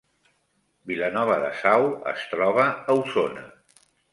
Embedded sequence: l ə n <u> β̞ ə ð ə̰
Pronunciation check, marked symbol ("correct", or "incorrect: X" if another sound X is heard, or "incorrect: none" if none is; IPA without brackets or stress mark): incorrect: ɔ